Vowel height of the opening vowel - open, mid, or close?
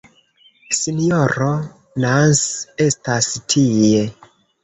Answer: close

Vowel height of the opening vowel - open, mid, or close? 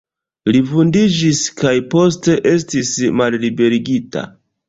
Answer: close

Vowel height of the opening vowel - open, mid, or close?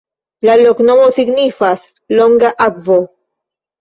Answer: open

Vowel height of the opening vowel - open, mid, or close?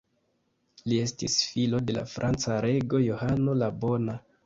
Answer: close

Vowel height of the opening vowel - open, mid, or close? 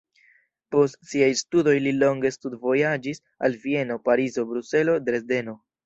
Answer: mid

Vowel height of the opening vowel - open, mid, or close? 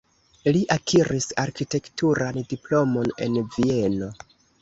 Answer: close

